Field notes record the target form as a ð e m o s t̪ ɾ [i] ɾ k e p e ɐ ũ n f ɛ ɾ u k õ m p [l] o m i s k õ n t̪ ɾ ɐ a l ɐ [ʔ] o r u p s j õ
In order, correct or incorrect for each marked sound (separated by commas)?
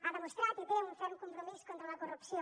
incorrect, incorrect, incorrect